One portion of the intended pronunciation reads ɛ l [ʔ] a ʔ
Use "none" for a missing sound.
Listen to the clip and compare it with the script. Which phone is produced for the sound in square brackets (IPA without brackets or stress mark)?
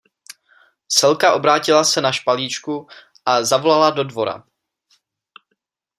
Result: k